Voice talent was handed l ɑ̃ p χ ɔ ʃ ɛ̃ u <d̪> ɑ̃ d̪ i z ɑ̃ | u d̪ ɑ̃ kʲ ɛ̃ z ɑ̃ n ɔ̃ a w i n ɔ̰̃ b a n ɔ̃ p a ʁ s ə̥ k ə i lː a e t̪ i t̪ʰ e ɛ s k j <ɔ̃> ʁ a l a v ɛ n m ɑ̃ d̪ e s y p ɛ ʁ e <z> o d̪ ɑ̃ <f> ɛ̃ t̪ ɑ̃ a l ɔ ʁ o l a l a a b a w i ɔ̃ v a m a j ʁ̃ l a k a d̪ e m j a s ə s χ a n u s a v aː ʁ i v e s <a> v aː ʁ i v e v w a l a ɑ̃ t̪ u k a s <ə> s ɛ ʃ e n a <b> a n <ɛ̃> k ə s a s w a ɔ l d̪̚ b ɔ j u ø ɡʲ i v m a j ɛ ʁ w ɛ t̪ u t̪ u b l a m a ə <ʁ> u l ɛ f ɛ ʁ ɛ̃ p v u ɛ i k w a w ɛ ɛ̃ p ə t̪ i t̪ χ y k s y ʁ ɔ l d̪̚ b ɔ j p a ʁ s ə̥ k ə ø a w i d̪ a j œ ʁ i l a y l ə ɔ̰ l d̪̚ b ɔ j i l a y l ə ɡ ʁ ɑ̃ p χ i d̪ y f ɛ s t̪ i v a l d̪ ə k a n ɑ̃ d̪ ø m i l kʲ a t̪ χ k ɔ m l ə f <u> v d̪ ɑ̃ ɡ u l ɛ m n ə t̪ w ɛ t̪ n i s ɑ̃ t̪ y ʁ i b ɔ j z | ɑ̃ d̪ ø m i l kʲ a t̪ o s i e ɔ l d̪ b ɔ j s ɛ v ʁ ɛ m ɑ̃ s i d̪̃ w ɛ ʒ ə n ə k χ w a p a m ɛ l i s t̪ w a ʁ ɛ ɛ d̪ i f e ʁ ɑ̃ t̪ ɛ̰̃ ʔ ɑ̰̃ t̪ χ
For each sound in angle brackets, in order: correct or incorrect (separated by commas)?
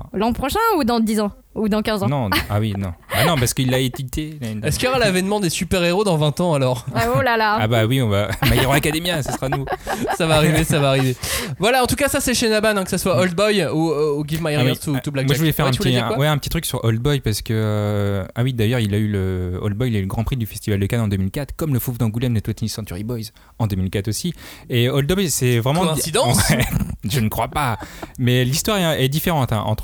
correct, incorrect, incorrect, incorrect, correct, incorrect, correct, correct, incorrect, correct